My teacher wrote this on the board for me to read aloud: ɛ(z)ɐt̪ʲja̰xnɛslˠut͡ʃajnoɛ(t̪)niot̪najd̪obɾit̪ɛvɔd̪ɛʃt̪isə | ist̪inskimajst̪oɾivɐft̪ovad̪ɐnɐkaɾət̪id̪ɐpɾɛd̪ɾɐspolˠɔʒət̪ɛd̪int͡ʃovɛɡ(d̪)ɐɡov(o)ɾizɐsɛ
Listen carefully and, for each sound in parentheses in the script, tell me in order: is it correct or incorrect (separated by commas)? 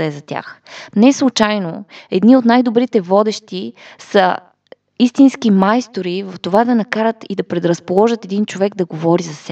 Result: correct, incorrect, correct, incorrect